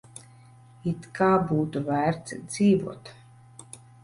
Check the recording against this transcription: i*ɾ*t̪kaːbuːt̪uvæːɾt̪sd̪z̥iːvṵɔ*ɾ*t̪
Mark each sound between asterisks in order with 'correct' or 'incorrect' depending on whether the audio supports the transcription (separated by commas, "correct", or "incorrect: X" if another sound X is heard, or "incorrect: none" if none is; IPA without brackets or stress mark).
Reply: incorrect: none, incorrect: none